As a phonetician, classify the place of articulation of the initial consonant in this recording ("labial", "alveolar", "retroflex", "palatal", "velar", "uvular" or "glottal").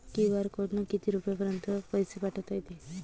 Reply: velar